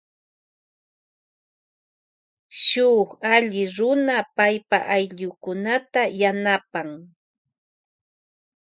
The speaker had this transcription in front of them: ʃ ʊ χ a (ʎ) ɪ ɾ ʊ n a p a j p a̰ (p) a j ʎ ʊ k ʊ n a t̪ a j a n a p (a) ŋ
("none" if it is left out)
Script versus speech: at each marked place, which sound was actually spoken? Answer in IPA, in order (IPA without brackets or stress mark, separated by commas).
ʎ, ʔ, a